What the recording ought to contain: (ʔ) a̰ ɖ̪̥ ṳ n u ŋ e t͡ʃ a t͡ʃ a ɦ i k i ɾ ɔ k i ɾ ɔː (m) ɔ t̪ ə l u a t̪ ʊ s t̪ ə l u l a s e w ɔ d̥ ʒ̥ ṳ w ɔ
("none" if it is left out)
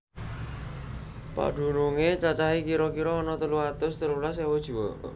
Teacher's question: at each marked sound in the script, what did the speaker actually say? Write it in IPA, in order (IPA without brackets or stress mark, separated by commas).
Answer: p, n